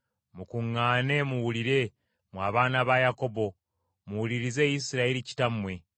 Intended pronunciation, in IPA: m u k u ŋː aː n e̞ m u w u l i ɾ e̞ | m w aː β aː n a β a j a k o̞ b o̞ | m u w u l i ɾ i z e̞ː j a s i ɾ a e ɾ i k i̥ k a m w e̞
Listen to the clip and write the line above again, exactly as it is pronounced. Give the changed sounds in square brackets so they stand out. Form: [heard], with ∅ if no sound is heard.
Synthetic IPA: m u k u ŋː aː n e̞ m u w u l i ɾ e̞ | m w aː β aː n a β a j a k o̞ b o̞ | m u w u l i ɾ i z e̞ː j [i] s i ɾ a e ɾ i [c] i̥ [t] a m w e̞

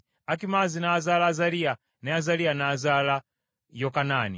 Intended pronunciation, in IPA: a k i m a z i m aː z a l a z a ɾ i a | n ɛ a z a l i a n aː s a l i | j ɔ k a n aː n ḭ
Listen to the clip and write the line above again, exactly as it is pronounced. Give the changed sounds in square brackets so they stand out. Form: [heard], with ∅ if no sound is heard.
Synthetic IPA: a k i m a z i [n] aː z a l a z a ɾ i a | n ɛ a z a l i a n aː [z] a l [a] | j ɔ k a n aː n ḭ

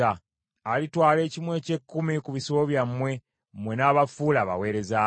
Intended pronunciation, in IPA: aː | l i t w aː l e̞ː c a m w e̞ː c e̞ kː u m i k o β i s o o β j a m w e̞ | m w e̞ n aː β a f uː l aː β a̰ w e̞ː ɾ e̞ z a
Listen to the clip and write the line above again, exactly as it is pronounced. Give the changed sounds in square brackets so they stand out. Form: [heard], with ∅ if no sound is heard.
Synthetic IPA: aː | l i t w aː l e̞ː c [i] m w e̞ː c e̞ kː u m i k [u] β i s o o β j a m w e̞ | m w e̞ n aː β a f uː l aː β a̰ w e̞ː ɾ e̞ z a

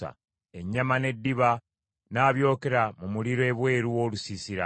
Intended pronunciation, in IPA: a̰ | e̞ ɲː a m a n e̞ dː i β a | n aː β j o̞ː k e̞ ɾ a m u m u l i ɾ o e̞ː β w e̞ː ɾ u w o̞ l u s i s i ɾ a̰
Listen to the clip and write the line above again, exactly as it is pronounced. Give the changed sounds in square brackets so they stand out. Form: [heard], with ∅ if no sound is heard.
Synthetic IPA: a̰ | e̞ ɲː a m a n e̞ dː i β a | n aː β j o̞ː k e̞ ɾ a m u m u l i ɾ o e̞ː β w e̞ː ɾ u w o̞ l u s i s i ɾ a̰

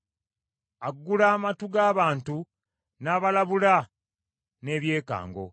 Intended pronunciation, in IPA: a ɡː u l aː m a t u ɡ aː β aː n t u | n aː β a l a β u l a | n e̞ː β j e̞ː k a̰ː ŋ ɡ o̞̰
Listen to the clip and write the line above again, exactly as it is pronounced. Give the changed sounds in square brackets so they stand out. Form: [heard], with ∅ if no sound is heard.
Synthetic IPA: a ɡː u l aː m a t u ɡ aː β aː n t u | n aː β a l a β u l a | n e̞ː β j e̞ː k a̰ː ŋ ɡ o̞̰

